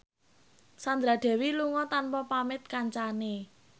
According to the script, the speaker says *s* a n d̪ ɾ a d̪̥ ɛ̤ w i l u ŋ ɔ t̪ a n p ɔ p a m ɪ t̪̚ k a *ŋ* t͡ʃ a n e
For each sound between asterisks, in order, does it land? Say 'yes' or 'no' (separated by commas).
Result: yes, no